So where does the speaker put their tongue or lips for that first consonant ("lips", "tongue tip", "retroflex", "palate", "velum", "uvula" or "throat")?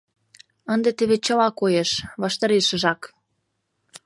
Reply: tongue tip